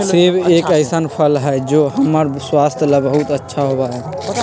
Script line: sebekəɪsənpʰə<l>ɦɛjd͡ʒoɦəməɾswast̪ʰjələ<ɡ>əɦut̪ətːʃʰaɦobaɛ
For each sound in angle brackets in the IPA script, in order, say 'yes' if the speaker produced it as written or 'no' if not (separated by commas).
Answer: yes, no